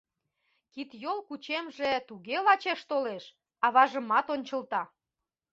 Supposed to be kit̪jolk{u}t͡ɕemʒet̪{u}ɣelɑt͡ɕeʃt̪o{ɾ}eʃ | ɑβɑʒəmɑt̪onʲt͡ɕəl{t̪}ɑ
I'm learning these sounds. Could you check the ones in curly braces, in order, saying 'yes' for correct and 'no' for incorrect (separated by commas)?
yes, yes, no, yes